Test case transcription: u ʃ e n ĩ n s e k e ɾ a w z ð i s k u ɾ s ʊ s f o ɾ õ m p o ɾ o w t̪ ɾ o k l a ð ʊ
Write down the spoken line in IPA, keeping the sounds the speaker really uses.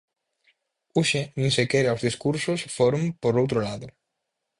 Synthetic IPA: u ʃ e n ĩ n s e k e ɾ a w z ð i s k u ɾ s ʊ s f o ɾ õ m p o ɾ o w t̪ ɾ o l a ð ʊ